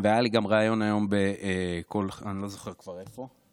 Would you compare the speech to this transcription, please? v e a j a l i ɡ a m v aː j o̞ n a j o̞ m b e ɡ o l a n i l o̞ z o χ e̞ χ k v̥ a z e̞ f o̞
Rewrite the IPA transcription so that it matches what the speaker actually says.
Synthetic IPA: v e a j a l i ɡ a m ʁ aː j o̞ n a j o̞ m b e k o l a n i l o̞ z o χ e̞ ʁ k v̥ a ʁ e̞ f o̞